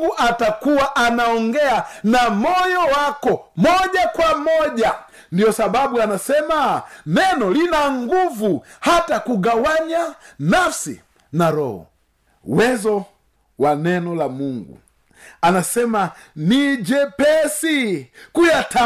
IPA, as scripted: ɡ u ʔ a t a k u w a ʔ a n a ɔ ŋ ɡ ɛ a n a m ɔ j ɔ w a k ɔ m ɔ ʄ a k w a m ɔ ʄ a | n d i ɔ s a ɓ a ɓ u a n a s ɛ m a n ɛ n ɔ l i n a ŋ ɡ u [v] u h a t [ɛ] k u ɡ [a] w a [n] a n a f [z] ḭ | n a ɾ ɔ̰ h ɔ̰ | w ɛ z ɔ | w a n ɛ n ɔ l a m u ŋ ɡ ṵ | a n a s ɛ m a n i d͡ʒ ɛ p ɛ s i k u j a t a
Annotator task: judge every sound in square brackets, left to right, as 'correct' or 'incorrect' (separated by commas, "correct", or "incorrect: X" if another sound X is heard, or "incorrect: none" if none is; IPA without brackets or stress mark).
correct, incorrect: a, correct, incorrect: ɲ, incorrect: s